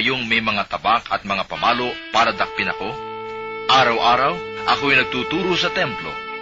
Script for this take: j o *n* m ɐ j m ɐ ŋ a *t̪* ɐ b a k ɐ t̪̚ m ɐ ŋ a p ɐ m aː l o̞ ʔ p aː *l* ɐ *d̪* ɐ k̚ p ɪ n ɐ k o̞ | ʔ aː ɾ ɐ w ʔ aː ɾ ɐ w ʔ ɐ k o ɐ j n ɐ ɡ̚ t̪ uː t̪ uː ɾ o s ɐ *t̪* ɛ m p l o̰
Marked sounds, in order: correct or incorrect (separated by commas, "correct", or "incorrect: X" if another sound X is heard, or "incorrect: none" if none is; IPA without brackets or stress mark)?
incorrect: ŋ, correct, incorrect: ɾ, correct, correct